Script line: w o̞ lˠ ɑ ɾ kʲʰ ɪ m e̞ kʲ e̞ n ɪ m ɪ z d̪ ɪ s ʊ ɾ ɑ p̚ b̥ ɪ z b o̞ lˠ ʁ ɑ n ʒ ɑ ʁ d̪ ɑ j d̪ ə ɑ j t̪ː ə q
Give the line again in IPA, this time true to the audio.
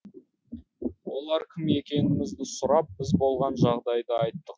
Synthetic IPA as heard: w o̞ lˠ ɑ ɾ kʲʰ ɪ m e̞ kʲ e̞ n ɪ m ɪ z d̪ ɪ s ʊ ɾ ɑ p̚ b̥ ɪ z b o̞ lˠ ʁ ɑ n ʒ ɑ ʁ d̪ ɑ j d̪ ə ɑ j t̪ː ə q

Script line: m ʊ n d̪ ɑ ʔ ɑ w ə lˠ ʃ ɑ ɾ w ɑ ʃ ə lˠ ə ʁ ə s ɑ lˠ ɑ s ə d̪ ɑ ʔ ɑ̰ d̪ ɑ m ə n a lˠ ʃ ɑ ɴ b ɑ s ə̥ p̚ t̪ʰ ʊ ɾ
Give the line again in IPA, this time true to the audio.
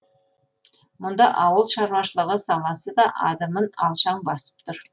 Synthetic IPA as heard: m ʊ n d̪ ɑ ʔ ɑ w ə lˠ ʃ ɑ ɾ w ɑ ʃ ə lˠ ə ʁ ə s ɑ lˠ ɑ s ə d̪ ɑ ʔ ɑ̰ d̪ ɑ m ə n ɑ lˠ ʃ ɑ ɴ b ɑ s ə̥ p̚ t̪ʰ ʊ ɾ

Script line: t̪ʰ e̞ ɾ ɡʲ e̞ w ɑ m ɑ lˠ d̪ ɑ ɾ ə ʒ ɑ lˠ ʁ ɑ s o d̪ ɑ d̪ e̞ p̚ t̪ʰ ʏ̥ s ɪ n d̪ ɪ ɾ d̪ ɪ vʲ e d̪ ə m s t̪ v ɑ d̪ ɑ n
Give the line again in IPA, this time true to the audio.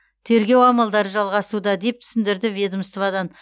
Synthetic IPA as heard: t̪ʰ e̞ ɾ ɡʲ e̞ w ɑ m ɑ lˠ d̪ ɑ ɾ ə ʒ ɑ lˠ ʁ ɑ s u d̪ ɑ d̪ e̞ p̚ t̪ʰ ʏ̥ s ɪ n d̪ ɪ ɾ d̪ ɪ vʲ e d̪ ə m s t̪ v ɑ d̪ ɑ n

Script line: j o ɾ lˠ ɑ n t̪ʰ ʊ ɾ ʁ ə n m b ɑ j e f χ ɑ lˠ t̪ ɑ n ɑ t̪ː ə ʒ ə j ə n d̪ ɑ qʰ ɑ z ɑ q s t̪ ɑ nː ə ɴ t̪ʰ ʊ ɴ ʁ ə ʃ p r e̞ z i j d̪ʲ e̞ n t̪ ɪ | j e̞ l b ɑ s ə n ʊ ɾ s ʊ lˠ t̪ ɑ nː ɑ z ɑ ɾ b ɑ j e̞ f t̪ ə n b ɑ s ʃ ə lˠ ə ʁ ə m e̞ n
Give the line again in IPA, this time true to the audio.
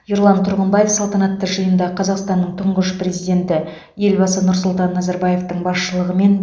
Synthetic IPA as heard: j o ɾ lˠ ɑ n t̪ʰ ʊ ɾ ʁ ə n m b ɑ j e f s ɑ lˠ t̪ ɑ n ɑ t̪ː ə ʒ ə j ə n d̪ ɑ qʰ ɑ z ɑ q s t̪ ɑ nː ə ɴ t̪ʰ ʊ ɴ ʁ ə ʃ p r e̞ z i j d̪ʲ e̞ n t̪ ɪ | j e̞ l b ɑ s ə n ʊ ɾ s ʊ lˠ t̪ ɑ nː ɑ z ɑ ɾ b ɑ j e̞ f t̪ ə ɴ b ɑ s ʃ ə lˠ ə ʁ ə m e̞ n

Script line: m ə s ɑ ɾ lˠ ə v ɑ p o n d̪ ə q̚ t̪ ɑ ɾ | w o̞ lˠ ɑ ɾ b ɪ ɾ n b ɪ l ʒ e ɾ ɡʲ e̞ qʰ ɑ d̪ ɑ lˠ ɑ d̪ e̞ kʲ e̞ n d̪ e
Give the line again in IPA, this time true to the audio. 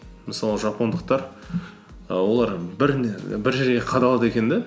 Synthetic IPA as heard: m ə s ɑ lˠ ə ʒ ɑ p o n d̪ ə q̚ t̪ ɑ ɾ | w o̞ lˠ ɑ ɾ b ɪ ɾ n b ɪ ɾ ʒ e ɾ ɡʲ e̞ qʰ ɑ d̪ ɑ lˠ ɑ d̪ e̞ kʲ e̞ n d̪ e

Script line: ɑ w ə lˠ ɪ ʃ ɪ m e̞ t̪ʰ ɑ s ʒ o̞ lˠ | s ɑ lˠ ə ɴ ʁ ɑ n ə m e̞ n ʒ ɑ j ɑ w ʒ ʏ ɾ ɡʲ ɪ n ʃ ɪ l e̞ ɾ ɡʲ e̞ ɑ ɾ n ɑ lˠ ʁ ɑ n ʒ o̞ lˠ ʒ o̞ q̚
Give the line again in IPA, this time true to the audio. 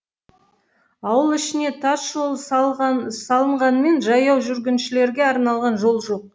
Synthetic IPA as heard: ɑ w ə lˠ ɪ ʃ ɪ n e̞ t̪ʰ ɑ s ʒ o̞ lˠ | s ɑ lˠ ə ɴ ʁ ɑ n ə m e̞ n ʒ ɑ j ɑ w ʒ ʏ ɾ ɡʲ ɪ n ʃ ɪ l e̞ ɾ ɡʲ e̞ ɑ ɾ n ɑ lˠ ʁ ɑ n ʒ o̞ lˠ ʒ o̞ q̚

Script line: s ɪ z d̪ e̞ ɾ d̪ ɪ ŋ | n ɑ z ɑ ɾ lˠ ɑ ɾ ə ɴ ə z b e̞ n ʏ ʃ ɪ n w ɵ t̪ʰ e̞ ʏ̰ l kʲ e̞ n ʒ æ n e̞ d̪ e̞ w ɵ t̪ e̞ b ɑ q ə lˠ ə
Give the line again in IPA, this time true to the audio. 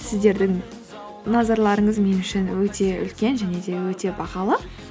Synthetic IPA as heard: s ɪ z d̪ e̞ ɾ d̪ ɪ ŋ | n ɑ z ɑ ɾ lˠ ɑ ɾ ə ɴ ə z m e̞ n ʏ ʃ ɪ n w ɵ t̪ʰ e̞ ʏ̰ l kʲ e̞ n ʒ æ n e̞ d̪ e̞ w ɵ t̪ e̞ b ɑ q ɑ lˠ ə

